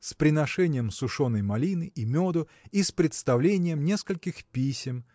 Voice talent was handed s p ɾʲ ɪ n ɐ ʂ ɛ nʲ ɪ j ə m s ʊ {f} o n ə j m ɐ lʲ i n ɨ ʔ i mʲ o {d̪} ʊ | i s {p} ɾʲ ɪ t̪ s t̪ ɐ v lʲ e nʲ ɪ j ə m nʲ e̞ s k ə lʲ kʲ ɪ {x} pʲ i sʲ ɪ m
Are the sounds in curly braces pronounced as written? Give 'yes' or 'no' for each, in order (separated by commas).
no, yes, yes, yes